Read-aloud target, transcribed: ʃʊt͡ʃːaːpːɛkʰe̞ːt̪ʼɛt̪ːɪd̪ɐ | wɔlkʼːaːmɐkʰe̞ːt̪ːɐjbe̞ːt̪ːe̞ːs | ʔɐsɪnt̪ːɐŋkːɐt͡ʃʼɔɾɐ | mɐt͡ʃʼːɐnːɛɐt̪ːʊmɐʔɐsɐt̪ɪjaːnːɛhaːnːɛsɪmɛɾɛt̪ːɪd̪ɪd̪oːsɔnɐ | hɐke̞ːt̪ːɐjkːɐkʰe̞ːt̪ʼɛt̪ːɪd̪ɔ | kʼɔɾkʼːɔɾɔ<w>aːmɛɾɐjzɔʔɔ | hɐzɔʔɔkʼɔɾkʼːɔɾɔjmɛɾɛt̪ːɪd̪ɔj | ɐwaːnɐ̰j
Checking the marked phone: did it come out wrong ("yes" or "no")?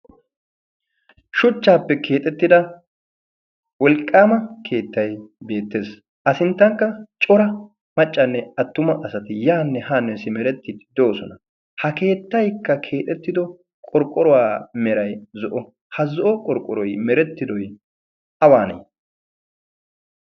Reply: no